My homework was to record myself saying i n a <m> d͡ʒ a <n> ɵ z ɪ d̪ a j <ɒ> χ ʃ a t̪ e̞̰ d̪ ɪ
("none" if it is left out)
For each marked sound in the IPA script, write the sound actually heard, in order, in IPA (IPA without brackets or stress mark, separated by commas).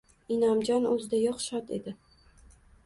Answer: m, n, ɒ